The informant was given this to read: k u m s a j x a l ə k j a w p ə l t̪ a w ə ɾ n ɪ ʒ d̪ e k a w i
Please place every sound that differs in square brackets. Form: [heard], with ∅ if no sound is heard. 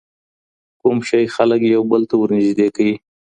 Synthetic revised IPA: k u m [ʃ] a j x a l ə k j a w [b] ə l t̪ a w ə ɾ n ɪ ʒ d̪ e k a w i